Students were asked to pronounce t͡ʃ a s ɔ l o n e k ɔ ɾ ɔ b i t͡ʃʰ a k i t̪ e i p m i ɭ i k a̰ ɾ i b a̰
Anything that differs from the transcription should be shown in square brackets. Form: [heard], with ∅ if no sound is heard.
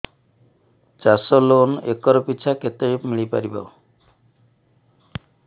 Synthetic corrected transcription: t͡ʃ a s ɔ l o n e k ɔ ɾ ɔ [p] i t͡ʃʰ a k [e] t̪ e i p m i ɭ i [p] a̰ ɾ i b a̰